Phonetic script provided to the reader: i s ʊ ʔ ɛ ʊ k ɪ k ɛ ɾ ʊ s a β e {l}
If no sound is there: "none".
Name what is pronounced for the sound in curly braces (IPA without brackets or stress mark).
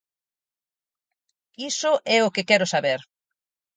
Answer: ɾ